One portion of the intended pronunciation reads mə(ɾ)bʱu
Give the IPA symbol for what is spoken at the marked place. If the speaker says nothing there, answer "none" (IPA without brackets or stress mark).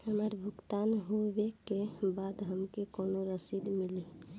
ɾ